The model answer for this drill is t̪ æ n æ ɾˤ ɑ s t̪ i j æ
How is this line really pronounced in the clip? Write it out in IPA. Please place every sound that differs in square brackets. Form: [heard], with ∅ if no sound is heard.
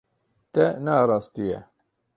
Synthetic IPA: t̪ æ n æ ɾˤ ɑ s t̪ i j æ